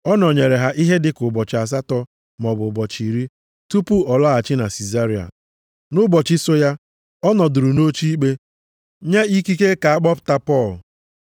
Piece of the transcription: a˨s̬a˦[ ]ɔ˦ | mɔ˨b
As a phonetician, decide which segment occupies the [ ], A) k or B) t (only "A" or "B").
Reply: B